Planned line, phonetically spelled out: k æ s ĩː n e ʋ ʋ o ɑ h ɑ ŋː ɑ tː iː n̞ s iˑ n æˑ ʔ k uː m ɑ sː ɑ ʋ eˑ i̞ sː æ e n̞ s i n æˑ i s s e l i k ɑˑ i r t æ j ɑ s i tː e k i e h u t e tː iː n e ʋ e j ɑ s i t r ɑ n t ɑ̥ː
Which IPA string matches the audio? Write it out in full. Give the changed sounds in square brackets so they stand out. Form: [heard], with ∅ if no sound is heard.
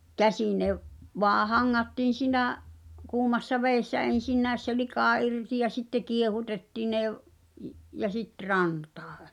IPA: k æ s ĩː n e ʋ ʋ o ɑ h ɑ ŋː ɑ tː iː n̞ s iˑ n æˑ ʔ k uː m ɑ sː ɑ ʋ eˑ i̞ sː æ e n̞ s i [nː] æˑ [e] s s e l i k ɑˑ i r t [i] j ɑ s i tː e k i e h u t e tː iː n e ʋ [i] j ɑ s i t r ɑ n t ɑ̥ː